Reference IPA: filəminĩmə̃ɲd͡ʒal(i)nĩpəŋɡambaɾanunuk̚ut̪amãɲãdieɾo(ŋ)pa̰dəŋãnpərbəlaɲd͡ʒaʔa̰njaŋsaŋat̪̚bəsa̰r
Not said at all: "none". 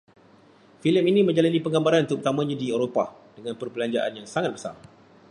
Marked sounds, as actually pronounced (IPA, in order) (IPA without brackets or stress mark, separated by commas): a, none